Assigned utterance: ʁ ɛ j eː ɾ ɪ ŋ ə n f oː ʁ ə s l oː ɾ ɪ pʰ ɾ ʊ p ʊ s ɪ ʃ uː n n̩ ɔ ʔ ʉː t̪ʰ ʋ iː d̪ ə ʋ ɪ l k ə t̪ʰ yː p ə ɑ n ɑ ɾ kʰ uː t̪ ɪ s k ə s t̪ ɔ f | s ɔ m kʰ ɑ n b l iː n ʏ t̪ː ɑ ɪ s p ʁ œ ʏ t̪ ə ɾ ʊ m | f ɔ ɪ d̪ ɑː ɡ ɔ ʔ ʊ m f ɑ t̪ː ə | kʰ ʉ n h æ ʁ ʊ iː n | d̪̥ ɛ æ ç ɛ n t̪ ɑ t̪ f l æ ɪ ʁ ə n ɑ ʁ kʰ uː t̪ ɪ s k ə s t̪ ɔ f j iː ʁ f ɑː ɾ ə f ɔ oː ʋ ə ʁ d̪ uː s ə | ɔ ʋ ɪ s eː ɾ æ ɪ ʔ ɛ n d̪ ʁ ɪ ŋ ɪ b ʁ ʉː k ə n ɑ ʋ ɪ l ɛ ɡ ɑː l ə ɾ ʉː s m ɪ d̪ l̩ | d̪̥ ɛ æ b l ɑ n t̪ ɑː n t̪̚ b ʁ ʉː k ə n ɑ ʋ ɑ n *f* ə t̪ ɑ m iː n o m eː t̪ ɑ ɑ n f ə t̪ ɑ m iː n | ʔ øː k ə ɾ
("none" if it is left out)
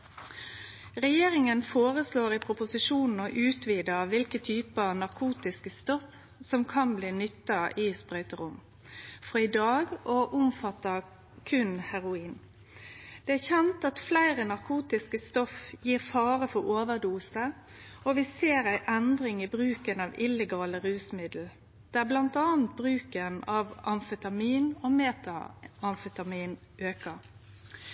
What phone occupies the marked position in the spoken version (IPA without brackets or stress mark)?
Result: f